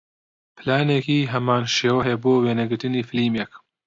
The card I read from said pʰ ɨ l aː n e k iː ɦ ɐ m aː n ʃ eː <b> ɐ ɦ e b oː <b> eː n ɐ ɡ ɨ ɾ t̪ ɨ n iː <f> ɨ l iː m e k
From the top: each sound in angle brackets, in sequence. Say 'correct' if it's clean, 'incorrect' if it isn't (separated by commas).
incorrect, incorrect, correct